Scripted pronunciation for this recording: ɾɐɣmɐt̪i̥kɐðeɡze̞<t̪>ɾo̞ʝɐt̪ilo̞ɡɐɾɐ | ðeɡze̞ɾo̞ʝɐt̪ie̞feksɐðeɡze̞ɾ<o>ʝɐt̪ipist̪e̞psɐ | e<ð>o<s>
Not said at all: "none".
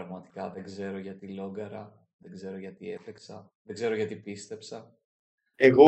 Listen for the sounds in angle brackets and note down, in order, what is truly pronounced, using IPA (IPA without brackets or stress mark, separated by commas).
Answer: none, o, ɣ, none